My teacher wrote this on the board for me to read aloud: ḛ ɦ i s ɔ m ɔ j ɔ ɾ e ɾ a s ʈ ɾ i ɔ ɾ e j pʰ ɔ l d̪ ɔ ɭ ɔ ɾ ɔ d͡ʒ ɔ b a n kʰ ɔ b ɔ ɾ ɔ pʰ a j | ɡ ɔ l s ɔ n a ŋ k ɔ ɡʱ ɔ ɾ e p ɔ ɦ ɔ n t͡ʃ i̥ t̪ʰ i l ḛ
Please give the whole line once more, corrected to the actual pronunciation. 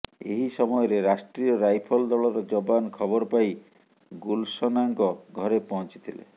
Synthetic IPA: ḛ ɦ i s ɔ m ɔ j ɔ ɾ e ɾ a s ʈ ɾ i ɔ ɾ a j pʰ ɔ l d̪ ɔ ɭ ɔ ɾ ɔ d͡ʒ ɔ b a n kʰ ɔ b ɔ ɾ ɔ p a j | ɡ u l s ɔ n a ŋ k ɔ ɡʱ ɔ ɾ e p ɔ ɦ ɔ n t͡ʃ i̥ t̪ʰ i l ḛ